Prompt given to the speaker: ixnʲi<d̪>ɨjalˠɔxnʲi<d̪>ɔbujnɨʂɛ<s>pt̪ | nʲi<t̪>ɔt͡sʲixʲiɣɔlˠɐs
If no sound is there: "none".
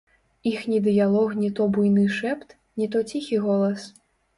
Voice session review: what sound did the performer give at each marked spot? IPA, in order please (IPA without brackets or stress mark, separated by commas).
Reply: d̪, t̪, none, t̪